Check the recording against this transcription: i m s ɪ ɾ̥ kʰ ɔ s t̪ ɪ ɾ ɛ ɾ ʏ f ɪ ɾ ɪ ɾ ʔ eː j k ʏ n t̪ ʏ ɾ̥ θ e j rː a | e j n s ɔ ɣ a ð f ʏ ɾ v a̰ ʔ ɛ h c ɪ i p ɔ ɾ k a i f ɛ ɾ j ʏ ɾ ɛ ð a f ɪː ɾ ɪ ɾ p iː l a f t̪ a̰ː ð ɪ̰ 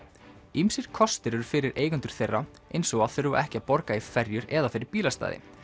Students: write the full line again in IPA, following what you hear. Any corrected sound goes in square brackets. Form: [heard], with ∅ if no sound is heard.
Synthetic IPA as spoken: i m s ɪ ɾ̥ kʰ ɔ s t̪ ɪ ɾ ɛ ɾ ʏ f ɪ ɾ ɪ ɾ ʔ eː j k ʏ n t̪ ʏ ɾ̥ θ e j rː a | e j n s ɔ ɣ a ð [θ] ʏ ɾ v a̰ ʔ ɛ h c ɪ [a] p ɔ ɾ k a i f ɛ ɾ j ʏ ɾ ɛ ð a f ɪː ɾ ɪ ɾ p iː l a [s] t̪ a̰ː ð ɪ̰